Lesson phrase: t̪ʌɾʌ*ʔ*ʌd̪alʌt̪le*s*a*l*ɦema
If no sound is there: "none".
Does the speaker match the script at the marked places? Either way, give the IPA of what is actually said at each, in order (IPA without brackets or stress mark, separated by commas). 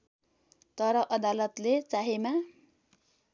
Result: ʔ, t͡s, none